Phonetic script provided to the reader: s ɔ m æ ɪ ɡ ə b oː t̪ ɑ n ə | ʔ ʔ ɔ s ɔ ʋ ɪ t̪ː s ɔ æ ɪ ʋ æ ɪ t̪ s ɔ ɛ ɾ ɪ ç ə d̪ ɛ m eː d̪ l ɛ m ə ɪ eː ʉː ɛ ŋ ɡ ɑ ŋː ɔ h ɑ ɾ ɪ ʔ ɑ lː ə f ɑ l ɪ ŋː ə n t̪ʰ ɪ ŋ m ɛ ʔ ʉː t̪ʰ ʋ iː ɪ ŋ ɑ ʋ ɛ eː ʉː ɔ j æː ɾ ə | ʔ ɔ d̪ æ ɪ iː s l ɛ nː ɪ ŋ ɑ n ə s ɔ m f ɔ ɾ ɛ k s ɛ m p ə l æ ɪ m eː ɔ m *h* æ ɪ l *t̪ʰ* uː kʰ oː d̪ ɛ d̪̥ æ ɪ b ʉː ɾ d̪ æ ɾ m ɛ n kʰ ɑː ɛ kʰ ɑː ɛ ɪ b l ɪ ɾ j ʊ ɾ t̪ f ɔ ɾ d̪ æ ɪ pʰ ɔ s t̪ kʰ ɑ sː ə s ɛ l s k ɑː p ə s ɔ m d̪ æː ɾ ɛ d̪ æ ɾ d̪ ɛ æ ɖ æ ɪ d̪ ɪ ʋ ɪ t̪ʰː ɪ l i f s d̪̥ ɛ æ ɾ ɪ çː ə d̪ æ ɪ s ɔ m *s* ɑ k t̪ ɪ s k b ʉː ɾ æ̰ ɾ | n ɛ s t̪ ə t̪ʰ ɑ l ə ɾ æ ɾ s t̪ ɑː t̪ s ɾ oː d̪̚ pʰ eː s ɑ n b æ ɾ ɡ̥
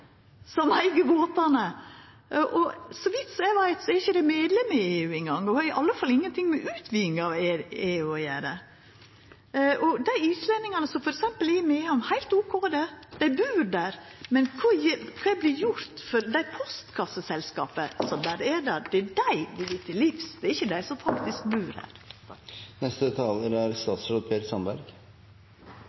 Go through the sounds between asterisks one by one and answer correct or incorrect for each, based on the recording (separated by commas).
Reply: correct, incorrect, incorrect